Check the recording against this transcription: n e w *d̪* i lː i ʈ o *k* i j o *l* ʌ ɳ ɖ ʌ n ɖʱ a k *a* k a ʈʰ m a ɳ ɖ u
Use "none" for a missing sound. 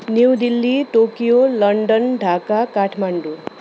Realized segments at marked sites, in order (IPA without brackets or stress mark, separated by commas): d̪, k, l, a